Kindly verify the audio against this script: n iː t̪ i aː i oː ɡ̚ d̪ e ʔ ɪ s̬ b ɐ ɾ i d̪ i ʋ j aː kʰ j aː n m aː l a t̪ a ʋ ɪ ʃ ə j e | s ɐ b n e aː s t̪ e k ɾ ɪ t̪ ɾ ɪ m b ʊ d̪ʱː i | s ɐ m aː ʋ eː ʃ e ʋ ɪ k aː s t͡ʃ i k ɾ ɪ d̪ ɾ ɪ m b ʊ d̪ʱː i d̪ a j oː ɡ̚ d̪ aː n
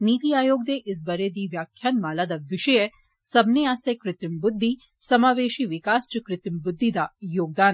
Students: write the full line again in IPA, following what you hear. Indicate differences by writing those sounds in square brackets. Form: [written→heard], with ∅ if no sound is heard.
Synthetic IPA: n iː t̪ i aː [i→j] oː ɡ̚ d̪ e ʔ ɪ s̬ b ɐ ɾ [i→e] d̪ i ʋ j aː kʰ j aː n m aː l a [t̪→d̪] a ʋ ɪ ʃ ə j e | s ɐ b n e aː s t̪ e k ɾ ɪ t̪ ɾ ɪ m b ʊ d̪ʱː i | s ɐ m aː ʋ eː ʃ [e→i] ʋ ɪ k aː s t͡ʃ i k ɾ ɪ [d̪→t̪] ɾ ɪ m b ʊ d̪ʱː i d̪ a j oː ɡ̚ d̪ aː n